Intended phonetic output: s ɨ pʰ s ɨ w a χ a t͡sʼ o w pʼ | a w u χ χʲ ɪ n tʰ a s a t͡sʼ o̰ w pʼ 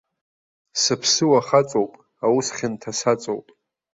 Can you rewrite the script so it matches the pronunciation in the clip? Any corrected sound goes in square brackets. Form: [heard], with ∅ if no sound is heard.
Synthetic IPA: s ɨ pʰ s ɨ w a χ a t͡sʼ o w pʼ | a w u [s] χʲ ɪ n tʰ a s a t͡sʼ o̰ w pʼ